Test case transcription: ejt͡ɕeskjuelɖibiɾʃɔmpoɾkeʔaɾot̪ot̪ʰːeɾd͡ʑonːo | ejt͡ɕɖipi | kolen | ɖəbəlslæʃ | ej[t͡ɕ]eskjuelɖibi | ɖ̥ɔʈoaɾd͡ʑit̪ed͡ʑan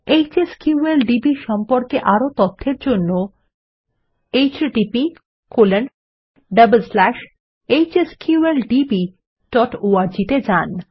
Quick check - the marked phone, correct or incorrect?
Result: correct